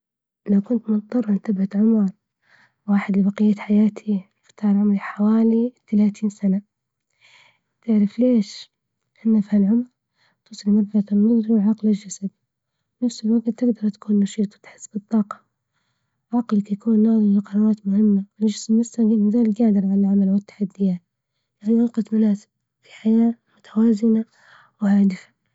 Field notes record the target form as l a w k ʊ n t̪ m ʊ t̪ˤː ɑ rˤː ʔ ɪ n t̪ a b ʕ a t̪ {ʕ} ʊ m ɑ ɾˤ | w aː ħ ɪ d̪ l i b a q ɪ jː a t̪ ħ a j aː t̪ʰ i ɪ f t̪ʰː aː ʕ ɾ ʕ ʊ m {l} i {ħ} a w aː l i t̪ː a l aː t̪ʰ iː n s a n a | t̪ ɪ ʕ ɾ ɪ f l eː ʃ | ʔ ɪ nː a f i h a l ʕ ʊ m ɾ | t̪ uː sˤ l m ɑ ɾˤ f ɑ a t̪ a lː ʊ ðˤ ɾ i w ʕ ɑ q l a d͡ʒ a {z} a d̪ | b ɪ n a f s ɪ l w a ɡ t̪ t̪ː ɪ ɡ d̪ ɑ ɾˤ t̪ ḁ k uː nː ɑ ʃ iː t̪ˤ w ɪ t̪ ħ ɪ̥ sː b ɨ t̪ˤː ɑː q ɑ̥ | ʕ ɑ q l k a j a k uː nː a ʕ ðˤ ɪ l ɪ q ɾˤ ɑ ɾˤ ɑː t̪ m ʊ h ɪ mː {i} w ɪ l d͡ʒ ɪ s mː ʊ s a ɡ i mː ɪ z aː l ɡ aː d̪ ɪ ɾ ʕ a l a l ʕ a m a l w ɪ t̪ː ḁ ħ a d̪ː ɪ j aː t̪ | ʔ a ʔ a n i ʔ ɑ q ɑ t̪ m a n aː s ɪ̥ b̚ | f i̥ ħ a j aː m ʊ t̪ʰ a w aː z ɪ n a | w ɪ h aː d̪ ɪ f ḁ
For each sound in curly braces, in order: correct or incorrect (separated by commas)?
correct, incorrect, correct, incorrect, incorrect